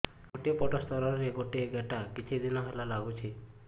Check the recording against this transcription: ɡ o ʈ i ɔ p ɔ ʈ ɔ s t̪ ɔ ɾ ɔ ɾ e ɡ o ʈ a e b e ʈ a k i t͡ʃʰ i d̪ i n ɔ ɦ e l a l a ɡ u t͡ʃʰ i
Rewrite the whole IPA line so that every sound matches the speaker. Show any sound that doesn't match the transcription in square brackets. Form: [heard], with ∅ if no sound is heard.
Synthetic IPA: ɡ o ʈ i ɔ p ɔ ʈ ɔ s t̪ ɔ ɾ ɔ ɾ e ɡ o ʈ [i] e [ɡ] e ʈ a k i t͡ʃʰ i d̪ i n ɔ ɦ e l a l a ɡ u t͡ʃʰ i